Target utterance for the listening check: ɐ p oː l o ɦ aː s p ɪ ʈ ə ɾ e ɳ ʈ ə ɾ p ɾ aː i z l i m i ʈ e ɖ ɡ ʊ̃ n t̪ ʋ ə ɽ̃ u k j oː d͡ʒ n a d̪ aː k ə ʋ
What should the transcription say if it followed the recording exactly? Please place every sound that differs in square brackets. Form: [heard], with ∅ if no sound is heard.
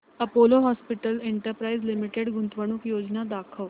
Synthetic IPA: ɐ p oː l o ɦ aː s p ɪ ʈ ə [l] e ɳ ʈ ə ɾ p ɾ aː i z l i m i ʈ e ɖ ɡ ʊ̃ n t̪ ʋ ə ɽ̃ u k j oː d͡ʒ n a d̪ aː [kʰ] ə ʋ